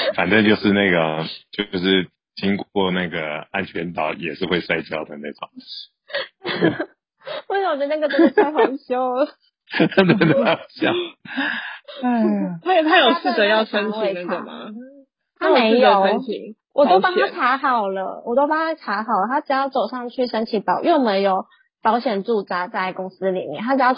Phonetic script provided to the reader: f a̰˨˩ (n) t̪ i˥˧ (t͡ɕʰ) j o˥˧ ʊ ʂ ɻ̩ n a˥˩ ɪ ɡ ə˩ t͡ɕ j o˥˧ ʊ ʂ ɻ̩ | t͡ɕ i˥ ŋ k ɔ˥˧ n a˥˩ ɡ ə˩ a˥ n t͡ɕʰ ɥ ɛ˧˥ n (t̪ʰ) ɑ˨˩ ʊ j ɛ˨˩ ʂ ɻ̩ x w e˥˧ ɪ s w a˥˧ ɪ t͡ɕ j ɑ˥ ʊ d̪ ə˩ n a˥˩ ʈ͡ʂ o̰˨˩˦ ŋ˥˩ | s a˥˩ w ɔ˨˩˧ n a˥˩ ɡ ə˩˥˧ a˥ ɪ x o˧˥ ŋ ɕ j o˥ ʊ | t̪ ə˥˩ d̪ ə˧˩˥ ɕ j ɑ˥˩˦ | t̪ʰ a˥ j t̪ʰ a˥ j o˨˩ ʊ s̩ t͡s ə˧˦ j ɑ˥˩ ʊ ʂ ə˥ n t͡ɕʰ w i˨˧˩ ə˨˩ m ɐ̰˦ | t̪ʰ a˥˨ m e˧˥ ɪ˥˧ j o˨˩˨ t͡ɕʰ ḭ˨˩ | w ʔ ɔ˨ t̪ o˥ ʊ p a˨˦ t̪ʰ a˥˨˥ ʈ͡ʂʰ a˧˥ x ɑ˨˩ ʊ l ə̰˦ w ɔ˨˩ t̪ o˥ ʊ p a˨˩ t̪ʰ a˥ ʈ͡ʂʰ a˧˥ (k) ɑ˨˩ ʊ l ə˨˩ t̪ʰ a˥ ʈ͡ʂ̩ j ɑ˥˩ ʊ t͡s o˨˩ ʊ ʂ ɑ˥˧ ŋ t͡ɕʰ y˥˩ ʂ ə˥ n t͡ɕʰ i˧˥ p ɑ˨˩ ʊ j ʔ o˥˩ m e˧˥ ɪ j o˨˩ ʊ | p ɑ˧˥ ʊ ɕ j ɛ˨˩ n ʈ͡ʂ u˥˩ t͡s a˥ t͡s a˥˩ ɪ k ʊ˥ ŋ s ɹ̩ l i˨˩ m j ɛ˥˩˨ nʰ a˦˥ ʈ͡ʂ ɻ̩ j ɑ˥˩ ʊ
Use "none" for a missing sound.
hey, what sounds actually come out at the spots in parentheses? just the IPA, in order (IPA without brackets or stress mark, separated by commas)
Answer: n, t͡ɕ, t̪, x